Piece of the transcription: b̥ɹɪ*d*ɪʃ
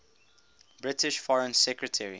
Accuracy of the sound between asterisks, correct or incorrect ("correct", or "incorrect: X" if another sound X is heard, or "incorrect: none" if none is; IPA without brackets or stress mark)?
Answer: incorrect: t